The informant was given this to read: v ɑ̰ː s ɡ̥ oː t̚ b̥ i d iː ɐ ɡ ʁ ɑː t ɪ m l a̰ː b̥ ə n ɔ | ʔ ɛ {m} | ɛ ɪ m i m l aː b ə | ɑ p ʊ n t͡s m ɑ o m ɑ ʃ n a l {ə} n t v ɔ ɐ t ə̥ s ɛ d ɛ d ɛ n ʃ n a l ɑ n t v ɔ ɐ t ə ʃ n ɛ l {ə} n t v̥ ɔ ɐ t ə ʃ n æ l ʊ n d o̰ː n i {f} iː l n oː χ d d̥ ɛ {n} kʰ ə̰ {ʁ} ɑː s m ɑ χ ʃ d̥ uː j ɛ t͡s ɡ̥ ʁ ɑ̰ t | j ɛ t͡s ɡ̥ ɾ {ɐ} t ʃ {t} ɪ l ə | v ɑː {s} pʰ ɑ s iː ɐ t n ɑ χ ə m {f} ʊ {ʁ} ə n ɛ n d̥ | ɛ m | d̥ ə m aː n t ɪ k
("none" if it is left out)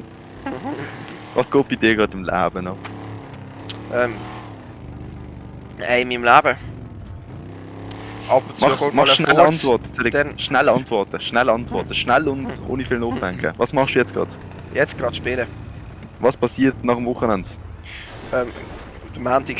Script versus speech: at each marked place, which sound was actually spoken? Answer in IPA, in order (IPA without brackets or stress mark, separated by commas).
m, ɑ, ɑ, f, ŋ, v, ɑ, p, s, v, χ